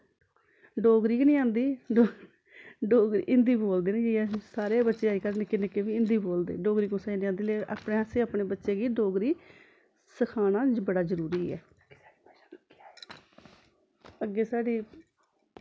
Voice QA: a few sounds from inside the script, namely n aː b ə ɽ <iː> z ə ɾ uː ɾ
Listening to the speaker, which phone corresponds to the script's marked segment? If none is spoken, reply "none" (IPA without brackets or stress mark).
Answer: aː